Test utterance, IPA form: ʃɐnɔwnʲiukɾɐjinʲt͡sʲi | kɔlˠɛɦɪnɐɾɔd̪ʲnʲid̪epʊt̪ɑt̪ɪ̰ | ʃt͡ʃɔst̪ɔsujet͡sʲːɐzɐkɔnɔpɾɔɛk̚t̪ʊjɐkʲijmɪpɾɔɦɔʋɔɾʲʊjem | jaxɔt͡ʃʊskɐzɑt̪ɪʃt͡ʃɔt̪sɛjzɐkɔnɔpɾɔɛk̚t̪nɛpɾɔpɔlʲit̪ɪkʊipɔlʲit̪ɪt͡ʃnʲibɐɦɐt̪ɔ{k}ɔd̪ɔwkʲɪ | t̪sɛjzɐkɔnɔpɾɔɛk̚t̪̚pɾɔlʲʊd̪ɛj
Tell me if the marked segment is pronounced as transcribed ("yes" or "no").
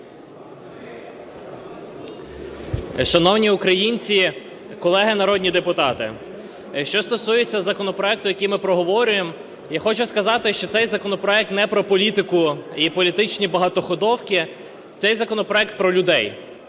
no